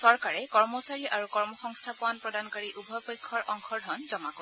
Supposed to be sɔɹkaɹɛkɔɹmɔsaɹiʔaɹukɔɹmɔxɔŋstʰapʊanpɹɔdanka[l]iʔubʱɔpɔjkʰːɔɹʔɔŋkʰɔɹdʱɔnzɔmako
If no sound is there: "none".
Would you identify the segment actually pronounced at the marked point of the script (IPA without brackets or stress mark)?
ɹ